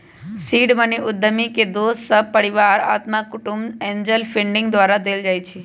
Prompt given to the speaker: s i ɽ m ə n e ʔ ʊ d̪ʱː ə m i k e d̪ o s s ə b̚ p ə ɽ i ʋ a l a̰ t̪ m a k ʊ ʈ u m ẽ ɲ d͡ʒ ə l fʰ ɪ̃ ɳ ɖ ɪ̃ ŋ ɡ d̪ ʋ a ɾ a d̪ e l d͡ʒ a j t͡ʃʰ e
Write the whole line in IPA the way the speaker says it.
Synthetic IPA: s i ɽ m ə n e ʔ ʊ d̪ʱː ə m i k e d̪ o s s ə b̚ p ə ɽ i ʋ a ɾ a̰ t̪ m a k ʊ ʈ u m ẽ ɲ d͡ʒ ə l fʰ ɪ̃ ɳ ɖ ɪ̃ ŋ ɡ d̪ ʋ a ɾ a d̪ e l d͡ʒ a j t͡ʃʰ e